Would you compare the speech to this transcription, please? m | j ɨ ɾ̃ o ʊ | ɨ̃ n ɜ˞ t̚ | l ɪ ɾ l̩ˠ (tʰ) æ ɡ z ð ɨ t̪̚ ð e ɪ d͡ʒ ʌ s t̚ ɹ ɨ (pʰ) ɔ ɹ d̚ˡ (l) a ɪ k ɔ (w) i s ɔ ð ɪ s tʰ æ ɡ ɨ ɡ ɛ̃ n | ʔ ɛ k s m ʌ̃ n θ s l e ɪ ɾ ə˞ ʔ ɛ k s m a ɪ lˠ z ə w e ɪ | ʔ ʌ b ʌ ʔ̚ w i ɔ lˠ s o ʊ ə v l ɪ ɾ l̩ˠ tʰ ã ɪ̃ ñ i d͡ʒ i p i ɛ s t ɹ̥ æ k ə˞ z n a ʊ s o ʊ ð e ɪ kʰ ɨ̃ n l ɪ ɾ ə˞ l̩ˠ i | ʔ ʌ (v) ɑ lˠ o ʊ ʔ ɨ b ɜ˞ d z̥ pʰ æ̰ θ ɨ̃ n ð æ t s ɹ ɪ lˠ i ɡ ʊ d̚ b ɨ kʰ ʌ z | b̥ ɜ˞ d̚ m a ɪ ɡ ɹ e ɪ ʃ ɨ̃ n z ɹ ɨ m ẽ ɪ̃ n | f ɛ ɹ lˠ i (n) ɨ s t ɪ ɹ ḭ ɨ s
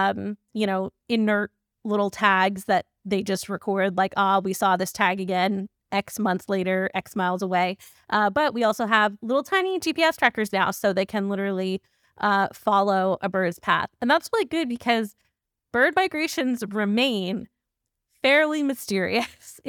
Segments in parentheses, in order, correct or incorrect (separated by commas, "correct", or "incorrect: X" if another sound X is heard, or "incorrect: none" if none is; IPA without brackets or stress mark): correct, incorrect: kʰ, correct, correct, incorrect: f, incorrect: m